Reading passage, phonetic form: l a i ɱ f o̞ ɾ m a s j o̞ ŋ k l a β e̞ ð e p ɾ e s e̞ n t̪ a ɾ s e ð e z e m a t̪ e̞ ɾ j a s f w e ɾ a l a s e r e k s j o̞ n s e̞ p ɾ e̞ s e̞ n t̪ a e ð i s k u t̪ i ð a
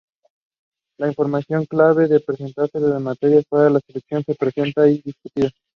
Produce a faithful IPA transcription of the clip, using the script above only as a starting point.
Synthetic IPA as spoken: l a i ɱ f o̞ ɾ m a s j o̞ ŋ k l a β e̞ ð e p ɾ e s e̞ n t̪ a ɾ s e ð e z e m a t̪ e̞ ɾ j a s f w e ɾ a l a s e l e k s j o̞ n s e̞ p ɾ e̞ s e̞ n t̪ a i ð i s k u t̪ i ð a

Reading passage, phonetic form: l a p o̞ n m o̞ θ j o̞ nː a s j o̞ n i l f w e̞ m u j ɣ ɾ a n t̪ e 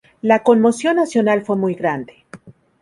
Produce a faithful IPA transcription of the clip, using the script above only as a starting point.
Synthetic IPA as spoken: l a k o̞ n m o̞ s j o̞ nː a s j o̞ n a l f w e̞ m u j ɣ ɾ a n d̪ e

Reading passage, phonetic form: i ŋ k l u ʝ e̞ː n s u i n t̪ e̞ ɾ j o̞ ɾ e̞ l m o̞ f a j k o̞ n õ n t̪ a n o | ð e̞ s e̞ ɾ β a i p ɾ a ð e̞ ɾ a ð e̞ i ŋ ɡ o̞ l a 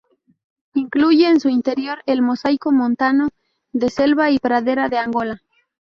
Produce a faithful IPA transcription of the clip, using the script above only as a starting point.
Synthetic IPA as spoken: i ŋ k l u ʝ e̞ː n s u i n t̪ e̞ ɾ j o̞ ɾ e̞ l m o̞ s a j k o̞ m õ n t̪ a n o | ð e̞ s e̞ l β a i p ɾ a ð e̞ ɾ a ð e̞ a ŋ ɡ o̞ l a

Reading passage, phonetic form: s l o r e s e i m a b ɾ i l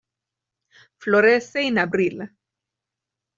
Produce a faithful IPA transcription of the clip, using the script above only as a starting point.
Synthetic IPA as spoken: f l o ɾ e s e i n a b ɾ i l

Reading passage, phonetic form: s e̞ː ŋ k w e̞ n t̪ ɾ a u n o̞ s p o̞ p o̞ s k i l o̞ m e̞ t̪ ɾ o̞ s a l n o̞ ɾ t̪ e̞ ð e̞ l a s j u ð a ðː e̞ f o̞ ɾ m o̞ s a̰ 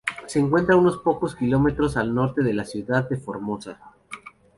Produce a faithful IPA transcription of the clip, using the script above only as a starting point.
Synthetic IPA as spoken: s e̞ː ŋ k w e̞ n t̪ ɾ a u n o̞ s p o̞ k o̞ s k i l o̞ m e̞ t̪ ɾ o̞ s a l n o̞ ɾ t̪ e̞ ð e̞ l a s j u ð a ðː e̞ f o̞ ɾ m o̞ s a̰

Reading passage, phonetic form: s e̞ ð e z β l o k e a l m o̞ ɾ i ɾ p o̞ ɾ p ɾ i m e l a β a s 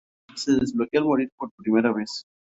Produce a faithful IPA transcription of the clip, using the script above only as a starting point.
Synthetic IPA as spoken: s e̞ ð e z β l o k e a l m o̞ ɾ i ɾ p o̞ ɾ p ɾ i m e ɾ a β e s

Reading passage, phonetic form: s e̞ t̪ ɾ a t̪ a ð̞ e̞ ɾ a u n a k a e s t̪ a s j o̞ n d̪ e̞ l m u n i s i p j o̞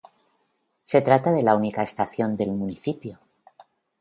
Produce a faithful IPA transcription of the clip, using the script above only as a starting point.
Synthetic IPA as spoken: s e̞ t̪ ɾ a t̪ a ð̞ e̞ l a u n i k a e s t̪ a θ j o̞ n d̪ e̞ l m u n i θ i p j o̞

